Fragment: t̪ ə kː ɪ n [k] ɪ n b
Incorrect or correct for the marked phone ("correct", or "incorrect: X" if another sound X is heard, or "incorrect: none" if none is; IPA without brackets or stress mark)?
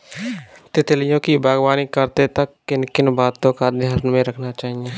correct